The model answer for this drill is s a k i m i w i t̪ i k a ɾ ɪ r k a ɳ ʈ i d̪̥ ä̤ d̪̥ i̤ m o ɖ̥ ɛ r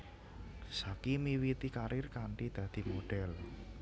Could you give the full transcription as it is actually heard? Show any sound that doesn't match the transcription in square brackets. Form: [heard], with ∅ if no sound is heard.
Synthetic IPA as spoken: s a k i m i w i t̪ i k a ɾ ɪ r k a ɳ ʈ i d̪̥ ä̤ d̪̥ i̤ m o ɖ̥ ɛ [l]